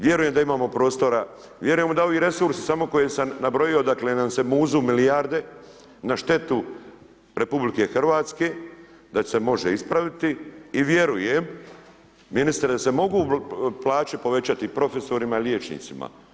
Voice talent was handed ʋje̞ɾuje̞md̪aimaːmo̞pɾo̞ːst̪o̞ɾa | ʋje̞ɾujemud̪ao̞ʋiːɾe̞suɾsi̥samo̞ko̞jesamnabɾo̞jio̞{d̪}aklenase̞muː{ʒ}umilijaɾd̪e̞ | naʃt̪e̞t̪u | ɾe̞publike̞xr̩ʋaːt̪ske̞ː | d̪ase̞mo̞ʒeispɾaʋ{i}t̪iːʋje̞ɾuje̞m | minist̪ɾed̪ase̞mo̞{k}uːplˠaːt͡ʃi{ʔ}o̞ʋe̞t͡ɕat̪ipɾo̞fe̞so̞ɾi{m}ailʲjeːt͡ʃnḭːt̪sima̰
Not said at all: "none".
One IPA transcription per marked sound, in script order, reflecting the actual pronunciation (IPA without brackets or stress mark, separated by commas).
d̪, z, i, ɡ, p, m